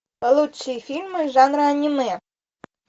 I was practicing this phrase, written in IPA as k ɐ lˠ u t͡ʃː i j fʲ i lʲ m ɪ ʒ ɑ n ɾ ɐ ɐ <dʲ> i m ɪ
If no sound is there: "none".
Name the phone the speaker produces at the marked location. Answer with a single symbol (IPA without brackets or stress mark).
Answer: nʲ